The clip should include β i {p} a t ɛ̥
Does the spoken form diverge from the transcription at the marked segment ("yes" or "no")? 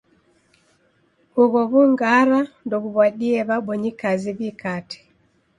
yes